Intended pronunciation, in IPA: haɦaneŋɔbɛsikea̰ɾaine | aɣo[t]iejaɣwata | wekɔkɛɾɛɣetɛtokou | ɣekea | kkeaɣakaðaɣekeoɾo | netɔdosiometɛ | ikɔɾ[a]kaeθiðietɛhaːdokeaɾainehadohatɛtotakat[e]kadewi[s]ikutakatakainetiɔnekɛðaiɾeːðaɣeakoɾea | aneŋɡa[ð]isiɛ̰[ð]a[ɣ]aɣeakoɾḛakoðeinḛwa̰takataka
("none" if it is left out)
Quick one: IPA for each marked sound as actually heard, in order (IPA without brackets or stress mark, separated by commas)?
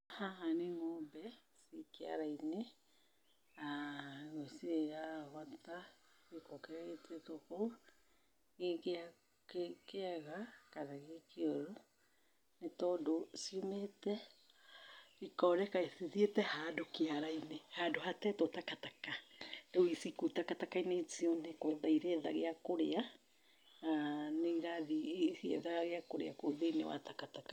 s, ɛ, a, s, ð, ð, ɣ